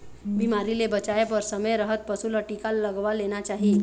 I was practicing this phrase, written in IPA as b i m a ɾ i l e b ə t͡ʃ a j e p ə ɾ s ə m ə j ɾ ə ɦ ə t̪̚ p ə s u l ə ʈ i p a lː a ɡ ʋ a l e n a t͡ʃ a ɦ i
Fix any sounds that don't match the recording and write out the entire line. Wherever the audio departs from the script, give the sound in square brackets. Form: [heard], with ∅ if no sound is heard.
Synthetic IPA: b i m a ɾ i l e b ə t͡ʃ a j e p ə ɾ s ə m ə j ɾ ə ɦ ə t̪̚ p ə s u l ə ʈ i [k] a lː [ə] ɡ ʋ a l e n a t͡ʃ a ɦ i